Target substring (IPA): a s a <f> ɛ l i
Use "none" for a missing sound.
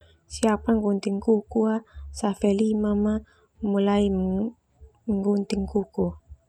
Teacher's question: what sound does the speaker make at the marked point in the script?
f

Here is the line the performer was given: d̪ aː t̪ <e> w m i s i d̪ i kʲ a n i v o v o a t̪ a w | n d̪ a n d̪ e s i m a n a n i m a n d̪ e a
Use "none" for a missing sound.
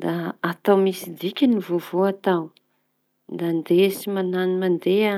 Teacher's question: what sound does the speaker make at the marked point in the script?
a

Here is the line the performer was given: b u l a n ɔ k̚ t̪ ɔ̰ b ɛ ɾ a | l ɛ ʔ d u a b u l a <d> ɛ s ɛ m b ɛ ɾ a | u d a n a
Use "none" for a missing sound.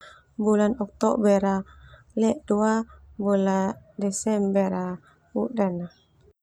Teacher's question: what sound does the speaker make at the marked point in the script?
d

